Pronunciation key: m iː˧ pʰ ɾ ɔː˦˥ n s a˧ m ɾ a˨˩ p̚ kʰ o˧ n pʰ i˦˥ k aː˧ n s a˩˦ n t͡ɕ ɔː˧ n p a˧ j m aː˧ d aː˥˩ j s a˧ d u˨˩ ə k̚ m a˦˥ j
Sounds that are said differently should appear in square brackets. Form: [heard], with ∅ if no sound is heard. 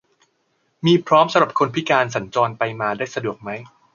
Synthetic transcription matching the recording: m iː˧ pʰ ɾ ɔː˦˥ [m] s a˧ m ɾ a˨˩ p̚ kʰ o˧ n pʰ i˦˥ k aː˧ n s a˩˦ n t͡ɕ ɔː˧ n p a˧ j m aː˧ d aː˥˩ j s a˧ d u˨˩ ə k̚ m a˦˥ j